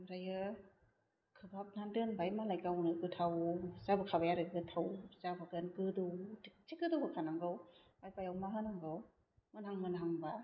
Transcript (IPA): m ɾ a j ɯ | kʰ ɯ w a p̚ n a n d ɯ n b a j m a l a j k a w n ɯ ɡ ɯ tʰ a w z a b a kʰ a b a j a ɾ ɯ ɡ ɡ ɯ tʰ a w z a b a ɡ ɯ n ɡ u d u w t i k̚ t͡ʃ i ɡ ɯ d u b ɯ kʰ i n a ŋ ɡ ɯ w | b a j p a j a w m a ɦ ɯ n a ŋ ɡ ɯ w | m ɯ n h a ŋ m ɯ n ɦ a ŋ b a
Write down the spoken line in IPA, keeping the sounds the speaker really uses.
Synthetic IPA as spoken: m ɾ a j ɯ | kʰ ɯ b a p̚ n a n d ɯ n b a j m a l a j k a w n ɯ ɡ ɯ tʰ a w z a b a kʰ a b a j a ɾ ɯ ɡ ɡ ɯ tʰ a w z a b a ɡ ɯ n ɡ ɯ d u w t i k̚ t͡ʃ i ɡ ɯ d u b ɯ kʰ a n a ŋ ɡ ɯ w | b a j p a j a w m a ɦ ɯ n a ŋ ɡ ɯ w | m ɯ n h a ŋ m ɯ n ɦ a ŋ b a